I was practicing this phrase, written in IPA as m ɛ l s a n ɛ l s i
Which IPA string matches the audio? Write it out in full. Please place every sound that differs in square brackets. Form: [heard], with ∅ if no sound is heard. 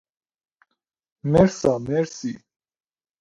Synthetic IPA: m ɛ [ɾ] s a [m] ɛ [ɾ] s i